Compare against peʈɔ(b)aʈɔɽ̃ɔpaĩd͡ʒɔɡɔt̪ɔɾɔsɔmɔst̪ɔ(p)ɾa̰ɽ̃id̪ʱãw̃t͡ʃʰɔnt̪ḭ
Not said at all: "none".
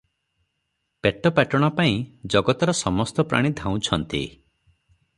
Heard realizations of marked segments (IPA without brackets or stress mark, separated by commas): p, p